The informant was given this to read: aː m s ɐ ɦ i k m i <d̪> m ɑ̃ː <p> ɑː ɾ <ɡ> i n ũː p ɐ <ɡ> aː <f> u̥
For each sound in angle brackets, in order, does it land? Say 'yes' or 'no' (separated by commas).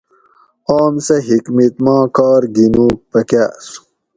no, no, yes, no, no